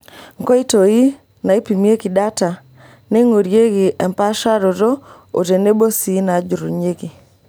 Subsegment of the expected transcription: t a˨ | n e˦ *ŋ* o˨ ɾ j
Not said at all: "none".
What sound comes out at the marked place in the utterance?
ŋ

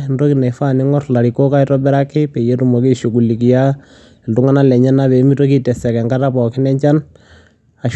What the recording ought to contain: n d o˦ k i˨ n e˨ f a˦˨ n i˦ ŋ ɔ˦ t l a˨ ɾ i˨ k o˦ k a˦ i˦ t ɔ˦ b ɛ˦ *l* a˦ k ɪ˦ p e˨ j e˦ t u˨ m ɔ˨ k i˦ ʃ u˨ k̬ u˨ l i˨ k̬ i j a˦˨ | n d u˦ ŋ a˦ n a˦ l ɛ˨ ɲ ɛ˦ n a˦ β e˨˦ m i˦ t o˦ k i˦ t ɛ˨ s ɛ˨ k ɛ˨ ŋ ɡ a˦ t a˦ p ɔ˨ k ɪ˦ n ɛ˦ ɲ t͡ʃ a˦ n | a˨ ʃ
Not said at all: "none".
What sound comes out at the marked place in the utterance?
ɾ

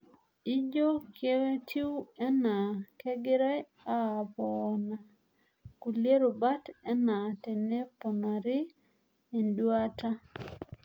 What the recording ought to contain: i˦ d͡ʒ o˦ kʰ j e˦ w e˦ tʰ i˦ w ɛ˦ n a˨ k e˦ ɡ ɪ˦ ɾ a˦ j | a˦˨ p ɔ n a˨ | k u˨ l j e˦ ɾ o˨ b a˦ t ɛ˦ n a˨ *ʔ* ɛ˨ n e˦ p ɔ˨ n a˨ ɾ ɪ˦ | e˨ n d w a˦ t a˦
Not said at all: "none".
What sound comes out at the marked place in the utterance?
t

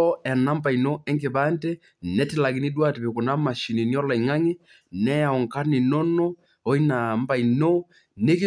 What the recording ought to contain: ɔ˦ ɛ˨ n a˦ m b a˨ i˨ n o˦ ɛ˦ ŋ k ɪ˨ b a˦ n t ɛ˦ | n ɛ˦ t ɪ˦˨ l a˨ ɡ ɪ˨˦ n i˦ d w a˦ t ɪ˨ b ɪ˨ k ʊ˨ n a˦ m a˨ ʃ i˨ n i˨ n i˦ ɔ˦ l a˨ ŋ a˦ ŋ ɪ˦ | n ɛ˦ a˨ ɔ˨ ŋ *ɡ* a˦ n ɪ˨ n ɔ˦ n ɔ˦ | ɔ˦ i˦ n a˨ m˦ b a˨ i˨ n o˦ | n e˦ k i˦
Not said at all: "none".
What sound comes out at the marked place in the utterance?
k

